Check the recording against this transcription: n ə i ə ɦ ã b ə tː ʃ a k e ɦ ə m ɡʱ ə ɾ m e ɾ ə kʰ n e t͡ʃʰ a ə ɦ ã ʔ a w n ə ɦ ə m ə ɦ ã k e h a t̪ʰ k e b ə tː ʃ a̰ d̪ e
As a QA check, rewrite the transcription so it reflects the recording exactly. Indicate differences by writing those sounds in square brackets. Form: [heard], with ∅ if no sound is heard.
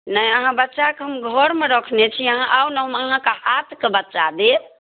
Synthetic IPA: n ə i ə ɦ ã b ə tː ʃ a k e ɦ ə m ɡʱ ə ɾ m e ɾ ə kʰ n e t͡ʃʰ [i] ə ɦ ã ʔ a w n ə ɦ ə m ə ɦ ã k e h a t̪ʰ k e b ə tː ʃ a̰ d̪ e